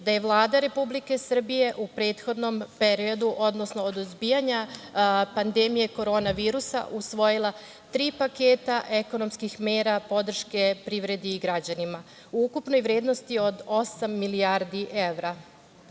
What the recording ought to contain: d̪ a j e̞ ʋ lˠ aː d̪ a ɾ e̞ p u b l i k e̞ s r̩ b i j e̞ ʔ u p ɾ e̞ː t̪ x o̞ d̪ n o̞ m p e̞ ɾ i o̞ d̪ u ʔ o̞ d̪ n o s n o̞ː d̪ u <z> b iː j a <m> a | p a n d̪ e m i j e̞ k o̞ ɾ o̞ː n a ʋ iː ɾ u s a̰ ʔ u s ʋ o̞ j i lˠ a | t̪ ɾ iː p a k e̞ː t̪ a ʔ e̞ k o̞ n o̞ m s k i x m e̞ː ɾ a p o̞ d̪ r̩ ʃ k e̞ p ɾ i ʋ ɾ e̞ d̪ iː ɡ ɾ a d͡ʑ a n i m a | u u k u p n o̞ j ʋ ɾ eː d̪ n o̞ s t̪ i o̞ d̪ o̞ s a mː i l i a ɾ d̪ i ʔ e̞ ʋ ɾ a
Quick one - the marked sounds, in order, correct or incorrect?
correct, incorrect: ɲ

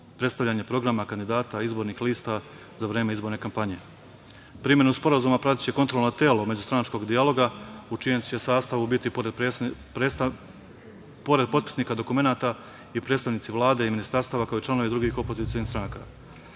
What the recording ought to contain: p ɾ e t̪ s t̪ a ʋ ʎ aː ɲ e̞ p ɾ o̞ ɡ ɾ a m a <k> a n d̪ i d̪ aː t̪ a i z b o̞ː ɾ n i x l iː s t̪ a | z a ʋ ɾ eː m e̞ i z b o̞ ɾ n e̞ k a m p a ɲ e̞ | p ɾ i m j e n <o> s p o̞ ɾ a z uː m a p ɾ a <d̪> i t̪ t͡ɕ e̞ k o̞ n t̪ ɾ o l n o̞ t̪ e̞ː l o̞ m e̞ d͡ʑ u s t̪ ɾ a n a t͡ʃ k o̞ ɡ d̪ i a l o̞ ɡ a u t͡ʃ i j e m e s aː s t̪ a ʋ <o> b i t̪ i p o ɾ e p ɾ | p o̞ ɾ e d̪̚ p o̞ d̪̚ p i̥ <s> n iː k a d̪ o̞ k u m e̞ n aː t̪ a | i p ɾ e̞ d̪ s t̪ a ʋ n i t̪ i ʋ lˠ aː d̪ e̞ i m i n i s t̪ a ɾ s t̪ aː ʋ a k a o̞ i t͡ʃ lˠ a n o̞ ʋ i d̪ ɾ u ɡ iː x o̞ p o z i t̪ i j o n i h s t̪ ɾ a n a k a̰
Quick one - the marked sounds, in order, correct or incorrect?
correct, incorrect: u, incorrect: t̪, incorrect: u, correct

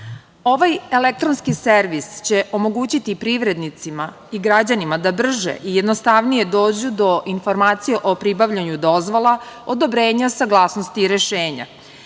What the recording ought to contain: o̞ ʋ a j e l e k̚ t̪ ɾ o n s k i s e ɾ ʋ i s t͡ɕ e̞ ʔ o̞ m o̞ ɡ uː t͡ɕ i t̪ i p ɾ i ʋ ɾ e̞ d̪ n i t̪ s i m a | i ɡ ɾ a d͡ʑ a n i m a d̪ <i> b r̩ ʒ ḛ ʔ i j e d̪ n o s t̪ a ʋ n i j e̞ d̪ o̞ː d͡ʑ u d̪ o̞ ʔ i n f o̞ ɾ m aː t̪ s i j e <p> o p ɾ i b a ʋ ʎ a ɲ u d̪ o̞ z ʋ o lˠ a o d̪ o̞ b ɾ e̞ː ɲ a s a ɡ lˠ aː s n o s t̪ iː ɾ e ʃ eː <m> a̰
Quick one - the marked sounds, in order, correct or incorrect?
incorrect: a, incorrect: ʔ, incorrect: ɲ

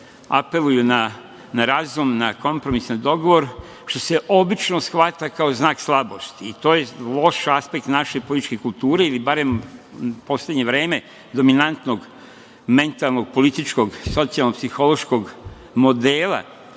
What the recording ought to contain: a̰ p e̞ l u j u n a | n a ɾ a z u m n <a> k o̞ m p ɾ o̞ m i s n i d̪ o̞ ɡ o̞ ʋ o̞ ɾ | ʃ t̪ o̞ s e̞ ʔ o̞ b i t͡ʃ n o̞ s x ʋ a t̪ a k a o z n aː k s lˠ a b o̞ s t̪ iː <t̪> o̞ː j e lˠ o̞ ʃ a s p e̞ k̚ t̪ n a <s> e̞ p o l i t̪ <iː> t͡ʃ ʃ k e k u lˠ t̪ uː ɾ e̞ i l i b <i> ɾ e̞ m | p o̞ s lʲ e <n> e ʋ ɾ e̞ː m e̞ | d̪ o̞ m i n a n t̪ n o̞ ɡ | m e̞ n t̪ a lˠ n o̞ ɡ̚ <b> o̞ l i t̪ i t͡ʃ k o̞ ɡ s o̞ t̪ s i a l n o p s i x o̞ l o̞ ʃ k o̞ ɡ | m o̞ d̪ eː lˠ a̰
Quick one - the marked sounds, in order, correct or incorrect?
correct, correct, incorrect: ʃ, incorrect: i, incorrect: a, incorrect: ɲ, incorrect: p

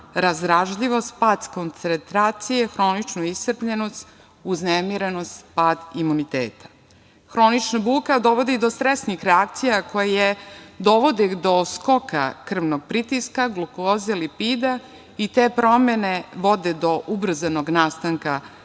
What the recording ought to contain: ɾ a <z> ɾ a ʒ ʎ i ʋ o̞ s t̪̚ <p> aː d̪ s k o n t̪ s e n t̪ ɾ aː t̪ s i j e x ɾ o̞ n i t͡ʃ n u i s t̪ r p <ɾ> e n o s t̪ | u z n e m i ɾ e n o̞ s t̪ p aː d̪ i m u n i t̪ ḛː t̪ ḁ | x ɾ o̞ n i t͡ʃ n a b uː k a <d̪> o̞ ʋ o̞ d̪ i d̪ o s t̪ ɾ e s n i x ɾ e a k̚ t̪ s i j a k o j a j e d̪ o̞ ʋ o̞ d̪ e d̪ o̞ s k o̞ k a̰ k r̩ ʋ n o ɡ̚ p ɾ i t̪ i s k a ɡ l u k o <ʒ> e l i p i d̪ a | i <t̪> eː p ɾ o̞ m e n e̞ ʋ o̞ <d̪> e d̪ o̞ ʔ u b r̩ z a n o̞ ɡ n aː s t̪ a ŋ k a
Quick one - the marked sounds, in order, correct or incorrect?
correct, correct, incorrect: ʎ, correct, incorrect: z, correct, correct

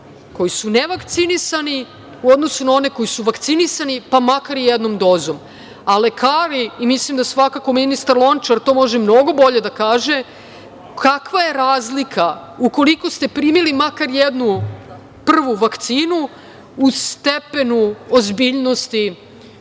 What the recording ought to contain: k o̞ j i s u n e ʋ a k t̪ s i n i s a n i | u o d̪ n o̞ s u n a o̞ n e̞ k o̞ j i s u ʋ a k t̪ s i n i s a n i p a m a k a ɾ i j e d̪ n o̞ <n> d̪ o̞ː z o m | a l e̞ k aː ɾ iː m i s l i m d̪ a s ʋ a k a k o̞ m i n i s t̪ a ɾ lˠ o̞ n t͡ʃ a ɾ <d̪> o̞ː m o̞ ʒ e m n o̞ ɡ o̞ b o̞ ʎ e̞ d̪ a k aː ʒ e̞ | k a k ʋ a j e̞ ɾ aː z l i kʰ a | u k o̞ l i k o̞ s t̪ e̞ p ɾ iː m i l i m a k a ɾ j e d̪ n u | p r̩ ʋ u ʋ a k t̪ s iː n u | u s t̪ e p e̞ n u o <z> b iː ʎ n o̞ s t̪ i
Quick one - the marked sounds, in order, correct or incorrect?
incorrect: m, incorrect: t̪, correct

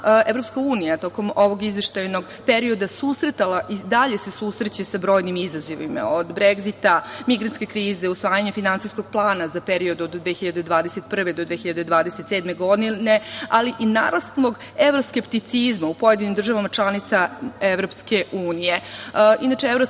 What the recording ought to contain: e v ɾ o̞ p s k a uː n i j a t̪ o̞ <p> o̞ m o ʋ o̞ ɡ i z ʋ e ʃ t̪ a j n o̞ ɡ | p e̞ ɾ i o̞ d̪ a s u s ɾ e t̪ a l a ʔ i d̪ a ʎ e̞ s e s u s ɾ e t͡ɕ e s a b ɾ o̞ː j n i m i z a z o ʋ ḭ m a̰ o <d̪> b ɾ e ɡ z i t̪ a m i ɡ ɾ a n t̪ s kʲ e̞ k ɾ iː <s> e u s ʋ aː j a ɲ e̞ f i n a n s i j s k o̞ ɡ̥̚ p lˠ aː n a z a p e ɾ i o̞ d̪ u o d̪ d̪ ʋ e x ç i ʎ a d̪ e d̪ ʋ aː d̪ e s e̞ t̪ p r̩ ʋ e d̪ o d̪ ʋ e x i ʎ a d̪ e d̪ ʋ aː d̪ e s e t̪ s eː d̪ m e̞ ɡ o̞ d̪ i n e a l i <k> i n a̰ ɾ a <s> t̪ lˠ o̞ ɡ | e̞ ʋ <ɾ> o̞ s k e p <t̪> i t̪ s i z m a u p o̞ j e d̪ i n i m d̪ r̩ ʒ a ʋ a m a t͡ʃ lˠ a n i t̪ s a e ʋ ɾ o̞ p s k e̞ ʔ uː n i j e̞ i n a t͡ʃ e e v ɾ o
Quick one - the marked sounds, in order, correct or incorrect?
incorrect: k, correct, incorrect: z, incorrect: ʔ, correct, correct, correct

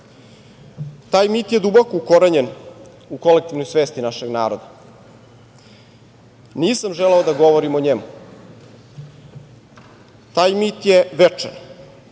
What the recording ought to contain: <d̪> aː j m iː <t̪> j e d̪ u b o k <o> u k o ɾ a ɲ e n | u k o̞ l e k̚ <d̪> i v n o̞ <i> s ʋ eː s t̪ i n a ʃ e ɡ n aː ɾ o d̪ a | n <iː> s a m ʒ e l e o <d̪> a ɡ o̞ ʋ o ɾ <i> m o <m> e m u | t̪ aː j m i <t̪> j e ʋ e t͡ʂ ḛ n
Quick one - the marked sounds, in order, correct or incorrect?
incorrect: t̪, correct, correct, incorrect: t̪, incorrect: j, correct, correct, correct, incorrect: ɲ, correct

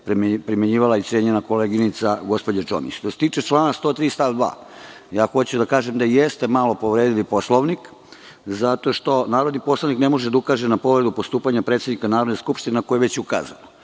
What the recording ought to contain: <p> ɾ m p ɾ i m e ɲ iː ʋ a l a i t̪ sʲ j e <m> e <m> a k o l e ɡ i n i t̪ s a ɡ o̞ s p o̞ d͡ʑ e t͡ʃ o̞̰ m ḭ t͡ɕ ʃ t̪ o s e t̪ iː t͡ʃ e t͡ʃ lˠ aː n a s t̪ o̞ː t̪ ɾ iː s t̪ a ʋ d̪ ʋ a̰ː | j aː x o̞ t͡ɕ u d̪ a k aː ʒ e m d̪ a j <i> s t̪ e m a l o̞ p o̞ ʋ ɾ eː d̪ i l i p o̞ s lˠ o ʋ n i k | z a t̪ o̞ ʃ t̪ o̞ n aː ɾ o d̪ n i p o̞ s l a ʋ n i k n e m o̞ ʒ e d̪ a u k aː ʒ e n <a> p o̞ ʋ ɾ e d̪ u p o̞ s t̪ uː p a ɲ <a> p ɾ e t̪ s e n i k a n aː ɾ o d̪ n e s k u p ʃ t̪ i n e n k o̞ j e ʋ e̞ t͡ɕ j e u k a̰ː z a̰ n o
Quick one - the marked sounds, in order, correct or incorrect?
correct, incorrect: ɲ, incorrect: n, incorrect: e, correct, correct

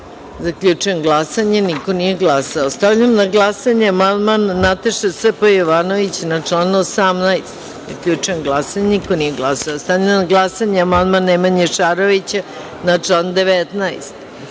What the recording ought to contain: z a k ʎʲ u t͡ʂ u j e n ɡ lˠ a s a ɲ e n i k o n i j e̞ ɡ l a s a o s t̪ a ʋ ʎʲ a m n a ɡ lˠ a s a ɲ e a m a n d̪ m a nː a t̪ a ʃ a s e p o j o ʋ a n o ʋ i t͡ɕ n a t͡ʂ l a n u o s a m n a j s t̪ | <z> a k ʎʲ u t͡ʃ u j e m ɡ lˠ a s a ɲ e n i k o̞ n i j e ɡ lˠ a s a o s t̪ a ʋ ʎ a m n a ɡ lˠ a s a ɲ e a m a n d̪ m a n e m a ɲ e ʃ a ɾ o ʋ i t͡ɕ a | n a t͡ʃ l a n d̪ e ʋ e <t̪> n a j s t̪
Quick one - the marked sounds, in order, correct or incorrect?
correct, correct

